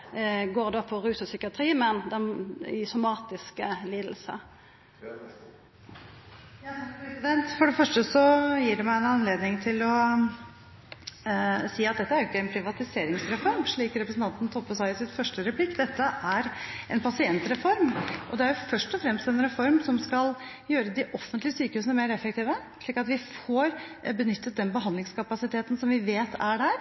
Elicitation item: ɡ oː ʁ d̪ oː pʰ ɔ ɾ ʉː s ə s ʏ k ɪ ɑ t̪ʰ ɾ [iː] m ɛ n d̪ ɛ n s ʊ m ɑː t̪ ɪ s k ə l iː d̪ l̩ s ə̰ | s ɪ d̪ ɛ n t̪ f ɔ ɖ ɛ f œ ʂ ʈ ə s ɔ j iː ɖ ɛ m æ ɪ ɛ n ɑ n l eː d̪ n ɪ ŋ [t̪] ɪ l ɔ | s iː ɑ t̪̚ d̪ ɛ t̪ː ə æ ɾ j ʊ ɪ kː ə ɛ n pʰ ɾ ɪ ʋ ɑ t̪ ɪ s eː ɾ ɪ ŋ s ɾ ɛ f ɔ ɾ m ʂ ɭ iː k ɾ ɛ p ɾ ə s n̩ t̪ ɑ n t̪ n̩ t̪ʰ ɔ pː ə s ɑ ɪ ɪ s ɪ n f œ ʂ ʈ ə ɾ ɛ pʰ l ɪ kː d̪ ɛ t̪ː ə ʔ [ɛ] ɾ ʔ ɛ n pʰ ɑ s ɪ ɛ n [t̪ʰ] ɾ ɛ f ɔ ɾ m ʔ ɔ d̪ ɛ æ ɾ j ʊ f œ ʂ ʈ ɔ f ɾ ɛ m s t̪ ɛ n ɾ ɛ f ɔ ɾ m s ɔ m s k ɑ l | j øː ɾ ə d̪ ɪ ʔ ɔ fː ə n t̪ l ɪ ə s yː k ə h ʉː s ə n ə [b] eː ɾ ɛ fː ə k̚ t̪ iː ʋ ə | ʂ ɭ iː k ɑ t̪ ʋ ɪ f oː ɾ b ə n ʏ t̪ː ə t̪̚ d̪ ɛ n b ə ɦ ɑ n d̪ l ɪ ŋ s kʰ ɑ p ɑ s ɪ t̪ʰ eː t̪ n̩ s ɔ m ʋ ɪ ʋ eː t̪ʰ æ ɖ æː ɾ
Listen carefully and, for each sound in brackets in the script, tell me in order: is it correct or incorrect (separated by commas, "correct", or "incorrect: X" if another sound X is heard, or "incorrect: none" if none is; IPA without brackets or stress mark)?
correct, incorrect: t̪ʰ, incorrect: æ, incorrect: t̪, incorrect: m